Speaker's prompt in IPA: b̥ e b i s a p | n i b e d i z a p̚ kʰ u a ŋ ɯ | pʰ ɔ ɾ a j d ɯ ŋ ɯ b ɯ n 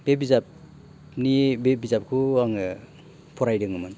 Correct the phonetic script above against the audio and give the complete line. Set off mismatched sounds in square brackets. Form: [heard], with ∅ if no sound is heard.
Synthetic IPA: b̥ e b i [z] a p | n i b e [b] i z a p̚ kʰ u a ŋ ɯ | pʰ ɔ ɾ a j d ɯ ŋ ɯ [m] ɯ n